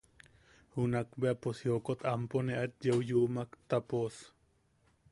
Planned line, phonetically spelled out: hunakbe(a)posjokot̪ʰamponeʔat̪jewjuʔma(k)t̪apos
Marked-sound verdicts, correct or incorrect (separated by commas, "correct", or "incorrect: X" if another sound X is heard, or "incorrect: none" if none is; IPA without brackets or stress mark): correct, correct